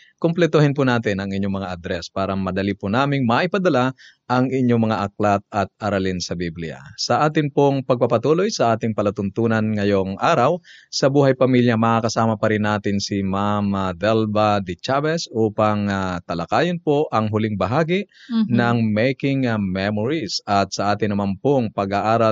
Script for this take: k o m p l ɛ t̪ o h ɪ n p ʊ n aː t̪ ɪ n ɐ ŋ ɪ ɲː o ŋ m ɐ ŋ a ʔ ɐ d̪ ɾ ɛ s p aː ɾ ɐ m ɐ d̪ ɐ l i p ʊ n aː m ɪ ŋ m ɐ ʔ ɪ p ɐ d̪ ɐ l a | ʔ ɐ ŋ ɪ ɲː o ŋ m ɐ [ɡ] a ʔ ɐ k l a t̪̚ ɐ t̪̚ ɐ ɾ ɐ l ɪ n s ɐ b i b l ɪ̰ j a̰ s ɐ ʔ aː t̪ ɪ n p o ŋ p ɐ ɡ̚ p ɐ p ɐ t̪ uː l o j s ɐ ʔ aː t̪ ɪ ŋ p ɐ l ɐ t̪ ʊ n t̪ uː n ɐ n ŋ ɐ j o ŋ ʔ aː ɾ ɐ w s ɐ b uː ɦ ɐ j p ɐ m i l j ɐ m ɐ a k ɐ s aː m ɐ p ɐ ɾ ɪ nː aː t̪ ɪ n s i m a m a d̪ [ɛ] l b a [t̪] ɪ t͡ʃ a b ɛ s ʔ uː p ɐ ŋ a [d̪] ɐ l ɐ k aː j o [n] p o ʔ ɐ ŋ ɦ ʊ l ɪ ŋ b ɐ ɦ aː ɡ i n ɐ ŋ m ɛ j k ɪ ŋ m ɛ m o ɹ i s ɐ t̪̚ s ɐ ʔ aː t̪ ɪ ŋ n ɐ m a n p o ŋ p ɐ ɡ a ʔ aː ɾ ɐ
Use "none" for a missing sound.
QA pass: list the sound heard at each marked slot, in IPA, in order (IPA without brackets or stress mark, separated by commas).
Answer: ŋ, ɛ, d̪, t̪, n